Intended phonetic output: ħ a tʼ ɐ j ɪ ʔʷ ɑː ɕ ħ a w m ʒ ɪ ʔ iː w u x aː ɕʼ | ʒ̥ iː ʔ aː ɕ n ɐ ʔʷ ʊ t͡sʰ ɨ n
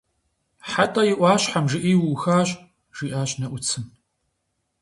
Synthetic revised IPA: ħ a tʼ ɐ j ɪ ʔʷ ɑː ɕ ħ a m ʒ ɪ ʔ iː w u x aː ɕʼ | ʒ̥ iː ʔ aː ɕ n ɐ ʔʷ ʊ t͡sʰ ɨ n